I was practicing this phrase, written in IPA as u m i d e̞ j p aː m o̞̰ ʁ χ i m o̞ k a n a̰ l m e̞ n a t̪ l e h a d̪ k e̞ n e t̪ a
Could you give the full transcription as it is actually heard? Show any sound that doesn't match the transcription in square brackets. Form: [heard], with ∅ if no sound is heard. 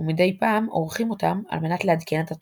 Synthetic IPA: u m i d e̞ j p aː m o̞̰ ʁ χ i m o̞ [t] a [m] a̰ l m e̞ n a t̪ l e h a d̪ k e̞ n e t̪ a